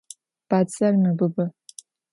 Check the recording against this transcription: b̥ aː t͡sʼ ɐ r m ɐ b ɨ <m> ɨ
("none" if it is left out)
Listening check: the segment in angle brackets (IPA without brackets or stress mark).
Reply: b